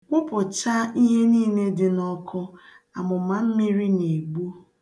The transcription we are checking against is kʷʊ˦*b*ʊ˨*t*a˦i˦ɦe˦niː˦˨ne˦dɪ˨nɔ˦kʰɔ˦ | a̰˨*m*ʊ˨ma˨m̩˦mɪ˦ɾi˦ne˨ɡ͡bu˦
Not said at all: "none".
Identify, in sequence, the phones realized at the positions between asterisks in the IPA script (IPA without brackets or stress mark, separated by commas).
p, t͡ʃ, m